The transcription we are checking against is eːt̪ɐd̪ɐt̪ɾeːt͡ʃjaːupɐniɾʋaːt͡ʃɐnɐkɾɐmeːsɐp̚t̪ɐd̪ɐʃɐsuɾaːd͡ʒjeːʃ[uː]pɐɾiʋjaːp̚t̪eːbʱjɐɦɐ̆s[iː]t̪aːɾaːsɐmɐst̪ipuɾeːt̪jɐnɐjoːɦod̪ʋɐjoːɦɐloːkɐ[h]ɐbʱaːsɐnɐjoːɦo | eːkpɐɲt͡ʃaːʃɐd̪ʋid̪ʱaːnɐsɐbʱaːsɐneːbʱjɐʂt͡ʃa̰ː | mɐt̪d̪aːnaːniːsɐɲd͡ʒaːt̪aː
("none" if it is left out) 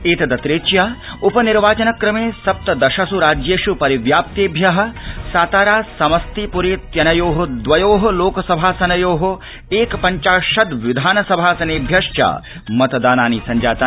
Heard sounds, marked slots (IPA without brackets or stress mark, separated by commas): u, aː, s